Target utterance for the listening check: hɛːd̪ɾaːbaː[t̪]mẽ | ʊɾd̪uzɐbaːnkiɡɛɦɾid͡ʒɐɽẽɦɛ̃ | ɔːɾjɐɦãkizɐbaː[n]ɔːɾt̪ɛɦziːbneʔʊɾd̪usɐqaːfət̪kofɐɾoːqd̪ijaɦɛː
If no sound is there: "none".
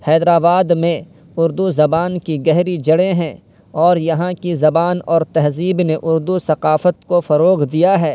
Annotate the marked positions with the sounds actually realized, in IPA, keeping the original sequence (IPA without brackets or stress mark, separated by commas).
d̪, n